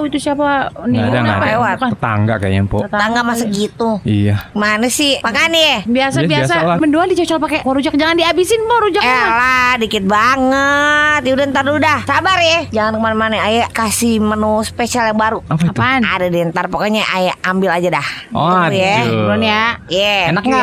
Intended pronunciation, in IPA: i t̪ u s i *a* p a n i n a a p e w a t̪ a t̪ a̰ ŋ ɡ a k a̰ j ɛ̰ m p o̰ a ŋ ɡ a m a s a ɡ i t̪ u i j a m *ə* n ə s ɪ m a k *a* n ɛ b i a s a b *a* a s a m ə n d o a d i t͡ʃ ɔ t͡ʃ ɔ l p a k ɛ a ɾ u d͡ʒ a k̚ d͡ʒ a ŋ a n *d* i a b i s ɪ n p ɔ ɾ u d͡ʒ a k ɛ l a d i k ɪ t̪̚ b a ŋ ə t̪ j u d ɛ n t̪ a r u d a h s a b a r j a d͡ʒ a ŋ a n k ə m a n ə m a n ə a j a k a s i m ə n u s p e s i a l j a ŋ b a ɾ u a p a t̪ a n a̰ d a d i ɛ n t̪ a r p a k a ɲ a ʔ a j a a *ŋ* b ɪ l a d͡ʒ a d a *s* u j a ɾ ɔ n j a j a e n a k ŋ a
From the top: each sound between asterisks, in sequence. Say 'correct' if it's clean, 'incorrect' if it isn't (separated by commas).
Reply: correct, incorrect, correct, incorrect, correct, incorrect, incorrect